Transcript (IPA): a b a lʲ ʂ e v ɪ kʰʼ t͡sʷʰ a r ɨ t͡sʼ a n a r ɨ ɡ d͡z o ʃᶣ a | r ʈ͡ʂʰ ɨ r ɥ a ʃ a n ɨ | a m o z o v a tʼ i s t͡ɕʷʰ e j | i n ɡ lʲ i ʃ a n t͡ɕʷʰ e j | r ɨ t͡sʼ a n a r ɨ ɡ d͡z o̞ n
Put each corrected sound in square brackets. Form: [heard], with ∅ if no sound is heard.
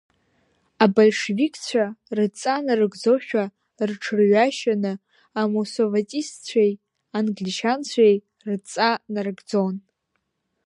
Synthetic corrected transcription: a b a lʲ ʂ e v [i] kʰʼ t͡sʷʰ a r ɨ t͡sʼ a n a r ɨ ɡ d͡z o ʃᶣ a | r ʈ͡ʂʰ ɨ r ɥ a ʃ a n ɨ | a m o [s] o v a tʼ i s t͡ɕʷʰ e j | [a] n ɡ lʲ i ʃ a n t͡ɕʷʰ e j | r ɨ t͡sʼ a n a r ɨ ɡ d͡z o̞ n